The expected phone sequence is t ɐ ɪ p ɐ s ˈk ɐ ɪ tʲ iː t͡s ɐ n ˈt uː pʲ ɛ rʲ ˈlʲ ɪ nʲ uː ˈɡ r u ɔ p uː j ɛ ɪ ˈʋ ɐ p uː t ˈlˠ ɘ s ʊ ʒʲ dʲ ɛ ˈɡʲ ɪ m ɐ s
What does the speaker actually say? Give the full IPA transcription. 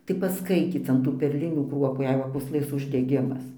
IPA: t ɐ ɪ p ɐ s ˈk ɐ ɪ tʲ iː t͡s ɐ n ˈt uː pʲ ɛ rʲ ˈlʲ ɪ nʲ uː ˈk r u ɔ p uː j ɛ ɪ ˈʋ ɐ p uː s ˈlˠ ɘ s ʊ ʒʲ dʲ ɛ ˈɡʲ ɪ m ɐ s